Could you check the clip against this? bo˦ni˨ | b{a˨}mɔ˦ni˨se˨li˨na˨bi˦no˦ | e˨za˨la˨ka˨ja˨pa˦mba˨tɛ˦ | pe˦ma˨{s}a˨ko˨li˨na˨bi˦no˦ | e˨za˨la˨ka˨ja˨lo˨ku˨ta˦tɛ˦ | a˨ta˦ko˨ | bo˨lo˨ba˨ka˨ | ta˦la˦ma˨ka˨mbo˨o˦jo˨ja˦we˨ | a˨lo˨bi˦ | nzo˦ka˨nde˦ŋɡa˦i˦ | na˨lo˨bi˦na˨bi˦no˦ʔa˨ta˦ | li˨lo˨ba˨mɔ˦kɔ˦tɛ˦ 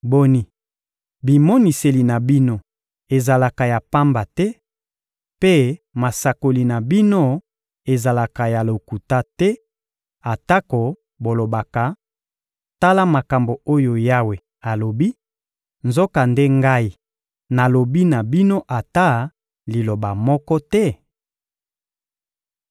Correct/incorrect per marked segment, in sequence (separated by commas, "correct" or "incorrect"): incorrect, correct